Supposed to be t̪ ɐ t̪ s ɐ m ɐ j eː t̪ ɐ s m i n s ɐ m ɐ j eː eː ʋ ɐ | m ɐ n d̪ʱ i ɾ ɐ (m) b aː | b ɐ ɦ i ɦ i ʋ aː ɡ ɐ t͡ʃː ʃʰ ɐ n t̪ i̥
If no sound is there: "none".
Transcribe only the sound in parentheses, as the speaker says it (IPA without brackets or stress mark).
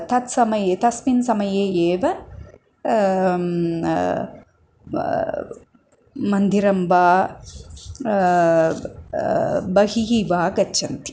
m